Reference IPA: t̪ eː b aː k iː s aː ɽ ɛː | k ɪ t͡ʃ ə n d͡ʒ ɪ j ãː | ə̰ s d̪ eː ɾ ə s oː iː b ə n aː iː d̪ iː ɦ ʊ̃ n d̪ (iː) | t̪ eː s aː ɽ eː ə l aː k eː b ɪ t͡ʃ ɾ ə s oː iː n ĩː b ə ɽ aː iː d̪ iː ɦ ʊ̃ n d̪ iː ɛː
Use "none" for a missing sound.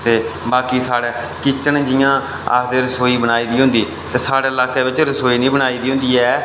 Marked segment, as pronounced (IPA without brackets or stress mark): iː